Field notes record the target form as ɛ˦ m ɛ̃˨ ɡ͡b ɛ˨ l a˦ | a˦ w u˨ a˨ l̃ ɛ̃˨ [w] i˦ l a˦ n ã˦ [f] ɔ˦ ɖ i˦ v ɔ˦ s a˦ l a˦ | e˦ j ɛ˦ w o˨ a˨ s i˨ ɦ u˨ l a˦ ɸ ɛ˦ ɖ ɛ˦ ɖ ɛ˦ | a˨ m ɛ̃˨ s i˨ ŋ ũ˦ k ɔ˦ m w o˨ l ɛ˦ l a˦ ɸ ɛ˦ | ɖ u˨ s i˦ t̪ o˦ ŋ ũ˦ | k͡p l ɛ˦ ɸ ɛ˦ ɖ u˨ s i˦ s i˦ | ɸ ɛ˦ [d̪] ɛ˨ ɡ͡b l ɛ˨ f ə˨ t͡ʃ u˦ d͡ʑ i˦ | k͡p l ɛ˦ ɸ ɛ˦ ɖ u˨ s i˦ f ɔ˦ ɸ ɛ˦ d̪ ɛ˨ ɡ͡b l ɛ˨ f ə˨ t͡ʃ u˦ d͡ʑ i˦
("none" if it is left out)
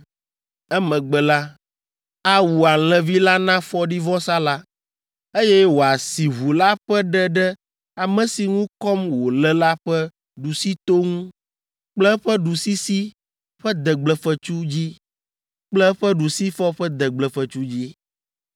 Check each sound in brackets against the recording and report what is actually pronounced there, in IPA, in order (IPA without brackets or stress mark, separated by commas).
v, f, d̪